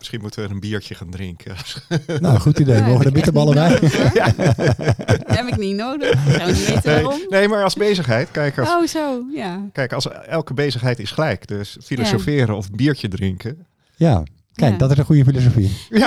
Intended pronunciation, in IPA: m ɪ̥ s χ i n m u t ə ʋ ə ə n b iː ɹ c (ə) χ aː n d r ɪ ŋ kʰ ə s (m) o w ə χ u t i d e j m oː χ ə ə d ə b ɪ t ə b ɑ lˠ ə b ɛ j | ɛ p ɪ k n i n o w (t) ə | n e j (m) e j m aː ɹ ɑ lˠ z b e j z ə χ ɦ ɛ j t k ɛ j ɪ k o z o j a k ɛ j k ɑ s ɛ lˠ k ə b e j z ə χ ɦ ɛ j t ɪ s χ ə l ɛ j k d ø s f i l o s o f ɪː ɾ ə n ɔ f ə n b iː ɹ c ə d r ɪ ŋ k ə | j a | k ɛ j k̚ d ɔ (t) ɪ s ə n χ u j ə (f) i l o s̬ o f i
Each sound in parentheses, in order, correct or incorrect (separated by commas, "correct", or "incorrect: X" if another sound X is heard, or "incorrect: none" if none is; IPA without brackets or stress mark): correct, incorrect: n, incorrect: d, incorrect: n, correct, correct